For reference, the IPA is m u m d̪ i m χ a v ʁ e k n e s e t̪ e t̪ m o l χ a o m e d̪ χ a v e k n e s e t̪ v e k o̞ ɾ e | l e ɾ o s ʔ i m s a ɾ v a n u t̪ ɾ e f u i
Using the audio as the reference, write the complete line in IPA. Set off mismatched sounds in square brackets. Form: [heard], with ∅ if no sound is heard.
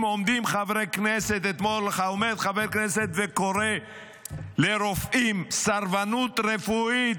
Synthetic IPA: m [o] m d̪ i m χ a v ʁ e k n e s e t̪ e t̪ m o l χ a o m e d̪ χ a v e k n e s e t̪ v e k o̞ ɾ e | l e ɾ o [f] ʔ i m s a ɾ v a n u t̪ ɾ e f u i